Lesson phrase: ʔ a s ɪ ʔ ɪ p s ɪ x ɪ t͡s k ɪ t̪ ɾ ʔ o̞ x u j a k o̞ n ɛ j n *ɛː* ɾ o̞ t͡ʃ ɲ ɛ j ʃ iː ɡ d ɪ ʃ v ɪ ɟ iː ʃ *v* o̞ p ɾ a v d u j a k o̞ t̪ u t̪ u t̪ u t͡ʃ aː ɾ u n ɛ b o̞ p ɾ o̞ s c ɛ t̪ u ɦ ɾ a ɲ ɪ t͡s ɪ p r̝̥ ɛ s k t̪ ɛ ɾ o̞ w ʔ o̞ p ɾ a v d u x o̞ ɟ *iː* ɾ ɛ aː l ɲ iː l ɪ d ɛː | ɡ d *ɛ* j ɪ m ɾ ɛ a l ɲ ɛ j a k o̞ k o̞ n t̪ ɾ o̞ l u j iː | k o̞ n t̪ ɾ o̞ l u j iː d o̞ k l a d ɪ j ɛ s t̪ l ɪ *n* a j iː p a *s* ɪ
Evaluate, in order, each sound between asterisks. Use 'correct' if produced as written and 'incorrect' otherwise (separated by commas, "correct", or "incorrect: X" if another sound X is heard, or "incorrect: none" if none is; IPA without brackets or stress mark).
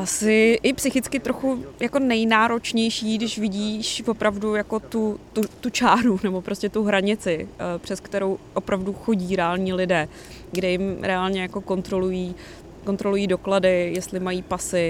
incorrect: aː, correct, correct, correct, incorrect: m, correct